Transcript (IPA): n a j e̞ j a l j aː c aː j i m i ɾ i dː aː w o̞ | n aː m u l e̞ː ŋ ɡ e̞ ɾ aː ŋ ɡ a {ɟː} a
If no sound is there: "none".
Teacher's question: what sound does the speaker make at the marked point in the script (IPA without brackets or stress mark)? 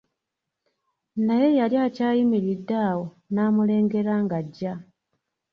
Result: ɟː